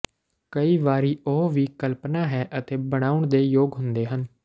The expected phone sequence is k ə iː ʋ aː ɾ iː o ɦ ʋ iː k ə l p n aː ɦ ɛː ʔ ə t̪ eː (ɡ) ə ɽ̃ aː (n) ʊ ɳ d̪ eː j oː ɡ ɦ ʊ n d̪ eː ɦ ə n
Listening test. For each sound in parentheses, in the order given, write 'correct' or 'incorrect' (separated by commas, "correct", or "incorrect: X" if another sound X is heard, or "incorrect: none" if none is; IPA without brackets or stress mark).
incorrect: b, incorrect: none